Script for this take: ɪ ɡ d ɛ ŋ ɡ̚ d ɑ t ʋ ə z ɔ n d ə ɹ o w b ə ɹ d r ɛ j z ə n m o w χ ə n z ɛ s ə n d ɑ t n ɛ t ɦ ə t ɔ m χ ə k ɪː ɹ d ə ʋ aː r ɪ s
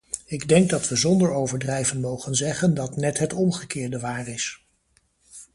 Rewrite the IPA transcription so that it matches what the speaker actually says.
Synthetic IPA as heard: ɪ ɡ d ɛ ŋ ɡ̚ d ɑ t ʋ ə z ɔ n d ə ɹ o w v ə ɹ d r ɛ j v ə n m o w χ ə n z ɛ χ ə n d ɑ t n ɛ t ɦ ə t ɔ m χ ə k ɪː ɹ d ə ʋ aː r ɪ s